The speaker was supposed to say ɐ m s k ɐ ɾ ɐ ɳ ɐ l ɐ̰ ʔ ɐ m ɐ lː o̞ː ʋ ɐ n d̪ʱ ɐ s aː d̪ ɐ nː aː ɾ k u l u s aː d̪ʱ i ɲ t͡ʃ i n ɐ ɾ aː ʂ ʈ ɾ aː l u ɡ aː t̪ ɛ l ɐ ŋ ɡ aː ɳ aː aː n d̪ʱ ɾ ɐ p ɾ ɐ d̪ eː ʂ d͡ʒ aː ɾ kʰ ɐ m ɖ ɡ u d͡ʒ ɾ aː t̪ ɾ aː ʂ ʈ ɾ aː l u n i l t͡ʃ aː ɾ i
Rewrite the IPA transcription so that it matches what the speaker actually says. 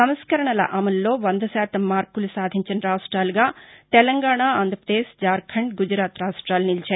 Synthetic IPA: ɐ m s k ɐ ɾ ɐ ɳ ɐ l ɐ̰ ʔ ɐ m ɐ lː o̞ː ʋ ɐ n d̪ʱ ɐ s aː t̪ ɐ mː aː ɾ k u l u s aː d̪ʱ i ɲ t͡ʃ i n ɐ ɾ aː ʂ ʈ ɾ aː l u ɡ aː t̪ ɛ l ɐ ŋ ɡ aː ɳ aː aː n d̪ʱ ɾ ɐ p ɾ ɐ d̪ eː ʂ d͡ʒ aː ɾ kʰ ɐ ɳ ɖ ɡ u d͡ʒ ɾ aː t̪ ɾ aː ʂ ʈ ɾ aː l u n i l t͡ʃ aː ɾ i

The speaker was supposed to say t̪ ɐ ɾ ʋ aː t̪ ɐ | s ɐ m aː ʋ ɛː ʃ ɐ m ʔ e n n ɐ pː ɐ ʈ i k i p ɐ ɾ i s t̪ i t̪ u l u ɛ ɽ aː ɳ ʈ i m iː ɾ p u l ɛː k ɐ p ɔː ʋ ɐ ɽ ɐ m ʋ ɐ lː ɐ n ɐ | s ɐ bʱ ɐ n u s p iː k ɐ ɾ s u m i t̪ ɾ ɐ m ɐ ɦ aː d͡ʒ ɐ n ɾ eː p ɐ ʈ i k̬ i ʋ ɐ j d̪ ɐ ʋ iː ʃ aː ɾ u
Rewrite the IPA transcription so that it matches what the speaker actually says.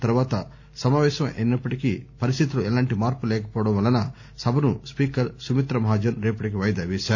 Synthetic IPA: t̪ ɐ ɾ ʋ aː t̪ ɐ | s ɐ m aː ʋ ɛː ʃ ɐ m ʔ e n n ɐ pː ɐ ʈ i k i p ɐ ɾ i s t̪ i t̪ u l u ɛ l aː ɳ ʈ i m aː ɾ p u l ɛː k ɐ p ɔː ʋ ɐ ɽ ɐ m ʋ ɐ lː ɐ n ɐ | s ɐ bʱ ɐ n u s p iː k ɐ ɾ s u m i t̪ ɾ ɐ m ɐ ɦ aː d͡ʒ ɐ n ɾ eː p ɐ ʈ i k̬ i ʋ ɐ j d̪ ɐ ʋ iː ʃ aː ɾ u

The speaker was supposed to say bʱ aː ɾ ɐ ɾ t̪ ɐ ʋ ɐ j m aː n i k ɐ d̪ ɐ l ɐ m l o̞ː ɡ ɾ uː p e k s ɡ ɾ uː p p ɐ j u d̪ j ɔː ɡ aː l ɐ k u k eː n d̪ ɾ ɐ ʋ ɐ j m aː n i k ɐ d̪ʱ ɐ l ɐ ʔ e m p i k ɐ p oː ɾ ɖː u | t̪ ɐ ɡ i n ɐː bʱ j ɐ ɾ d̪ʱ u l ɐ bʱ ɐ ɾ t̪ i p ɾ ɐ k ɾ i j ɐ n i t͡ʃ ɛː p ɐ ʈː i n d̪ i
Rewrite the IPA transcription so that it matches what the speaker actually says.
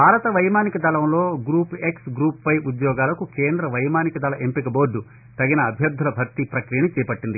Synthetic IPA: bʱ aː ɾ ɐ t̪ ɐ ʋ ɐ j m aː n i k ɐ d̪ ɐ l ɐ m l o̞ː ɡ ɾ uː p e k s ɡ ɾ uː p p ɐ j u d̪ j ɔː ɡ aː l ɐ k u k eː n d̪ ɾ ɐ ʋ ɐ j m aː n i k ɐ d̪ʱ ɐ l ɐ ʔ e m p i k ɐ b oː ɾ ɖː u | t̪ ɐ ɡ i n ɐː bʱ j ɐ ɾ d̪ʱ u l ɐ bʱ ɐ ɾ t̪ i p ɾ ɐ k ɾ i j ɐ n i t͡ʃ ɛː p ɐ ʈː i n d̪ i

